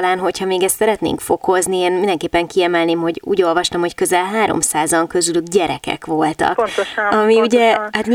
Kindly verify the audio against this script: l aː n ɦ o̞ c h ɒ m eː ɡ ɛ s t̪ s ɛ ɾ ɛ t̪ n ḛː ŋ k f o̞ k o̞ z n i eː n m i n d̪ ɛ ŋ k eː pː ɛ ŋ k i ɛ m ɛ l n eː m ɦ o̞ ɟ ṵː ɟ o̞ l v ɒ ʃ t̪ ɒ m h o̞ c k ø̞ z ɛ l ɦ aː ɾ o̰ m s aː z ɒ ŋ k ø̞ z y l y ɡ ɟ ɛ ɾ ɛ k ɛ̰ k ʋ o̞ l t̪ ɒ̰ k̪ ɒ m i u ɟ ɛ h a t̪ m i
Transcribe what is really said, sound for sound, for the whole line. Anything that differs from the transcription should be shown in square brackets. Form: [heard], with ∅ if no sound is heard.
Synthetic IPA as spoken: l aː n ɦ o̞ c h ɒ m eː ɡ ɛ s t̪ s ɛ ɾ ɛ t̪ n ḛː ŋ k f o̞ k o̞ z n i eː n m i n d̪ ɛ ŋ k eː pː ɛ ŋ k i ɛ m ɛ l n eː m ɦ o̞ ɟ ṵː ɟ o̞ l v ɒ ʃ t̪ ɒ m h o̞ c k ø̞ z ɛ l ɦ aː ɾ o̰ m s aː z ɒ ŋ k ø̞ z y l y ɡ ɟ ɛ ɾ ɛ k ɛ̰ k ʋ o̞ l t̪ ɒ̰ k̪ ɒ m i u ɟ ɛ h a t̪ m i